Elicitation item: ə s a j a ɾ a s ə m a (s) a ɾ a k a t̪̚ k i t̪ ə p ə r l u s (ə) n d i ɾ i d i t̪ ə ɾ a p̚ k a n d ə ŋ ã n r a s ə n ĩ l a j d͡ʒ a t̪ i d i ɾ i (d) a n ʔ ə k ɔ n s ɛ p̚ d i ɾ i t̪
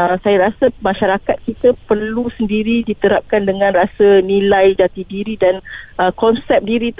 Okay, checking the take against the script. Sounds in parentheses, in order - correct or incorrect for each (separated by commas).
incorrect, correct, correct